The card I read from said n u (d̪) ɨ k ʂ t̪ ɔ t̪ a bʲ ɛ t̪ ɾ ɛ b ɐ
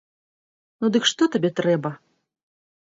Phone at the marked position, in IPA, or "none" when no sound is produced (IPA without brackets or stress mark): d̪